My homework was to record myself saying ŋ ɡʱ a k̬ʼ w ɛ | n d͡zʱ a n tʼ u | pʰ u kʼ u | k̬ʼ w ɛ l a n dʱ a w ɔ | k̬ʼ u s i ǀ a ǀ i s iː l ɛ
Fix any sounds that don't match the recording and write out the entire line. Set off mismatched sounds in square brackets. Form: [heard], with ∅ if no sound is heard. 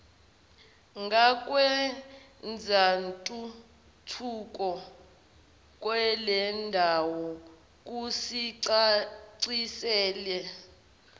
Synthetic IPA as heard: ŋ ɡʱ a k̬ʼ w ɛ | n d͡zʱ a n tʼ u | [tʰ] u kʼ [ɔ] | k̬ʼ w ɛ l [ɛ] n dʱ a w ɔ | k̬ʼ u s i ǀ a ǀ i s [ɛː] l ɛ